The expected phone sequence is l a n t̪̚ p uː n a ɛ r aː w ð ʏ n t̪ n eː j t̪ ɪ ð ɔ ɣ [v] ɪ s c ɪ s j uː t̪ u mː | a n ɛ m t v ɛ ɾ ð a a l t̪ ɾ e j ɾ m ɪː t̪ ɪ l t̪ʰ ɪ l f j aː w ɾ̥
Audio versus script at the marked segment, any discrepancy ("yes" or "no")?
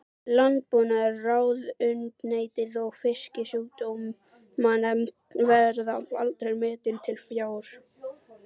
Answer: yes